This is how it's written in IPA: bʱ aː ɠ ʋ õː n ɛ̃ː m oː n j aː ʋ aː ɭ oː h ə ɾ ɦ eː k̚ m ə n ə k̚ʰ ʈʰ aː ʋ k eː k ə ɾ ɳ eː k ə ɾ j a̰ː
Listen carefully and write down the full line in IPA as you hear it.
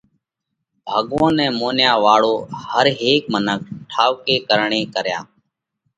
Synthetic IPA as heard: bʱ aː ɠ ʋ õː n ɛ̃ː m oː n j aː ʋ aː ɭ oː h ə ɾ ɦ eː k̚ m ə n ə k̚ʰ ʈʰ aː ʋ k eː k ə ɾ ɳ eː k ə ɾ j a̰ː